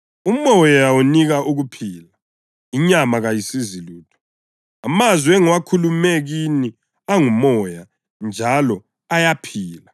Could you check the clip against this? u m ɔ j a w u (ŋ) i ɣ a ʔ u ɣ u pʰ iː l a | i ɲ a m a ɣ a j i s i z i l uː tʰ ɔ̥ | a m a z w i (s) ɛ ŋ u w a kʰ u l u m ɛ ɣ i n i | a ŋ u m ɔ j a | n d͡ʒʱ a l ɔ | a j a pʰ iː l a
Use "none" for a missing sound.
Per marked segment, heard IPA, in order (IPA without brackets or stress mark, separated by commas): n, none